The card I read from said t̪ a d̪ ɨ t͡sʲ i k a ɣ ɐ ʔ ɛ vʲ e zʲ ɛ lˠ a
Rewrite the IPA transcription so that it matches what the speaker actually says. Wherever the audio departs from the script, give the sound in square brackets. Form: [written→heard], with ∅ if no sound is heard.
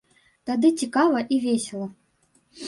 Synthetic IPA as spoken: t̪ a d̪ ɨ t͡sʲ i k a [ɣ→v] ɐ ʔ [ɛ→i] vʲ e [zʲ→sʲ] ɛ lˠ [a→ɐ]